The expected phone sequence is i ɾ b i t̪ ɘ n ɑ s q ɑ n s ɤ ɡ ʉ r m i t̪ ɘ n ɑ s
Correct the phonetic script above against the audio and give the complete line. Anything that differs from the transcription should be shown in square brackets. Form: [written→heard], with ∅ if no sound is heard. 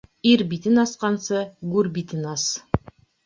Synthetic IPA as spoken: i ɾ b i t̪ ɘ n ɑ s q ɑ n s ɤ ɡ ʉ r [m→b] i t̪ ɘ n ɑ s